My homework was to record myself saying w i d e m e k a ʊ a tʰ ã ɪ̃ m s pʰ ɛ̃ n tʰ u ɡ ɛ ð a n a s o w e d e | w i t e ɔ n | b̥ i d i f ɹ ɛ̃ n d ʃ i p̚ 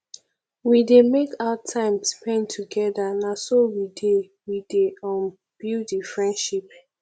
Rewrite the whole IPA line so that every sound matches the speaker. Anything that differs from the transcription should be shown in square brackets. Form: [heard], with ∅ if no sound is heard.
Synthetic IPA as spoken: w i d e m e k a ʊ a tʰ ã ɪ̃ m s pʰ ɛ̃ n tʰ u ɡ ɛ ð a n a s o w [i] d e | w i [d] e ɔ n | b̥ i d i f ɹ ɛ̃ n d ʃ i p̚